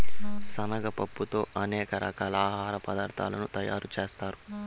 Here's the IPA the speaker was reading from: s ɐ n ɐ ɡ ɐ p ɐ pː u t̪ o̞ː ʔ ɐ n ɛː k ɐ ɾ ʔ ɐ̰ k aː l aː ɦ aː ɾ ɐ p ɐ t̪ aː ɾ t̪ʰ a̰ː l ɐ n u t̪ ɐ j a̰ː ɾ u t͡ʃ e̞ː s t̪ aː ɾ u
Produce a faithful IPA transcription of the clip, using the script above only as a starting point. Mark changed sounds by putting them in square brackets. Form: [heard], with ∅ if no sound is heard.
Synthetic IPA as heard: s ɐ n ɐ ɡ ɐ p ɐ pː u t̪ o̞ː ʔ ɐ n ɛː k ɐ ɾ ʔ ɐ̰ k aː l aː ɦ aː ɾ ɐ p ɐ [d̪] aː ɾ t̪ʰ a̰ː l ɐ n u t̪ ɐ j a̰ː ɾ u t͡ʃ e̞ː s t̪ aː ɾ u